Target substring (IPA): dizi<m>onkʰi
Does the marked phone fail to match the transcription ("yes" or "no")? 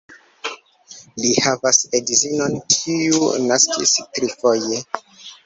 yes